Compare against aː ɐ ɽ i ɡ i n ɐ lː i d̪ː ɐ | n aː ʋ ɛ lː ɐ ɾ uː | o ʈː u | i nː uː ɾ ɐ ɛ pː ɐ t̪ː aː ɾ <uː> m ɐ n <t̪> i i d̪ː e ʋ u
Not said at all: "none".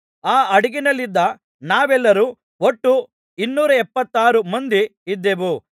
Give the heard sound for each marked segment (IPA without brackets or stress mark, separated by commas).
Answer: u, d̪